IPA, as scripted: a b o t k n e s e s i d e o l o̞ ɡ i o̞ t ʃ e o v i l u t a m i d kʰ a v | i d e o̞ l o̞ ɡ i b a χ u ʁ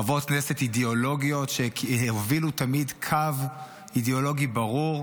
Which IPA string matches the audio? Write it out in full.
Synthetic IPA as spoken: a v o t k n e s e t i d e o l o̞ ɡ i o̞ t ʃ e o v i l u t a m i d kʰ a v | i d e o̞ l o̞ ɡ i b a ʁ u ʁ